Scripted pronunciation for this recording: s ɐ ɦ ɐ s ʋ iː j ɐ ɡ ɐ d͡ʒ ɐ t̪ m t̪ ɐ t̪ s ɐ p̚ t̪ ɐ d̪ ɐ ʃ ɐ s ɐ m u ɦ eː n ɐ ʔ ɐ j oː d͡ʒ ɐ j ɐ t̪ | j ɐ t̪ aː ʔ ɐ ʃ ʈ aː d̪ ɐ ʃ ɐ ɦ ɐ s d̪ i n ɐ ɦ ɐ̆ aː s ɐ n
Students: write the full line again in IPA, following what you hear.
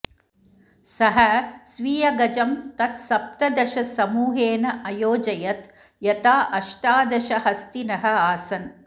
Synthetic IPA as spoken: s ɐ ɦ ɐ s ʋ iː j ɐ ɡ ɐ d͡ʒ ɐ m t̪ ɐ t̪ s ɐ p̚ t̪ ɐ d̪ ɐ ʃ ɐ s ɐ m uː ɦ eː n ɐ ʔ ɐ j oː d͡ʒ ɐ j ɐ t̪ | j ɐ t̪ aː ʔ ɐ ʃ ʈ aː d̪ ɐ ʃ ɐ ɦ ɐ s t̪ i n ɐ ɦ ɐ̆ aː s ɐ n